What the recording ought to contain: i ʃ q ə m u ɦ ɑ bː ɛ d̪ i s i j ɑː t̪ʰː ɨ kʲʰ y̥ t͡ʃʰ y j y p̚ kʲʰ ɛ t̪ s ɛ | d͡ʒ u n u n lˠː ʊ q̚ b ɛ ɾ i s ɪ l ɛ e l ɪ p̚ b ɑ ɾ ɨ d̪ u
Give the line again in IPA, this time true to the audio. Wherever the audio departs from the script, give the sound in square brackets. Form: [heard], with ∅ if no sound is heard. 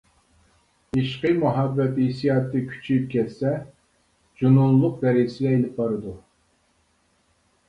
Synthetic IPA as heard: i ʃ q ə m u ɦ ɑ bː ɛ [t̪] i s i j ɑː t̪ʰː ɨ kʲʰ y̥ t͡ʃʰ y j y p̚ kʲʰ ɛ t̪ s ɛ | d͡ʒ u n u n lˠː ʊ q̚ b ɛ ɾ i s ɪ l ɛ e l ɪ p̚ b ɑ ɾ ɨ d̪ u